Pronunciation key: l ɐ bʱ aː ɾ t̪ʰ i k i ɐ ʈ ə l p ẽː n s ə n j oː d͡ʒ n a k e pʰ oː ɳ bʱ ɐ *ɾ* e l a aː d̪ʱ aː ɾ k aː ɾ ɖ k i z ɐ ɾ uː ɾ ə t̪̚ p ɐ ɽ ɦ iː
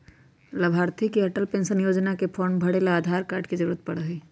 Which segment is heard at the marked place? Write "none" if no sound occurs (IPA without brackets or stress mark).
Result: ɽ